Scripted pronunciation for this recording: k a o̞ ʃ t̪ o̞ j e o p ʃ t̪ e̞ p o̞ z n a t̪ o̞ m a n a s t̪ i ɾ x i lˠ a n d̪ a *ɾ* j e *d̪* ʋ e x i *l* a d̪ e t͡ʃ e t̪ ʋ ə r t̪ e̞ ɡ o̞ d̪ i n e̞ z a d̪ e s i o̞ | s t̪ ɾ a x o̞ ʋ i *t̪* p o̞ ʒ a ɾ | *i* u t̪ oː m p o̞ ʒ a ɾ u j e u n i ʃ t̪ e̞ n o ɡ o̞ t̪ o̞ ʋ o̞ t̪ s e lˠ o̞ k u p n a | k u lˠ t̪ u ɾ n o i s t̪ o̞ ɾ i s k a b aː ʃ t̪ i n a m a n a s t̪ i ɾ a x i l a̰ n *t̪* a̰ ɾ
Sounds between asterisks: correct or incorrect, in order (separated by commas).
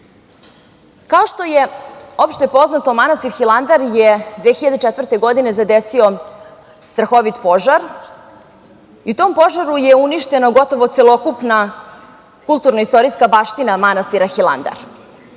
correct, correct, incorrect, correct, correct, incorrect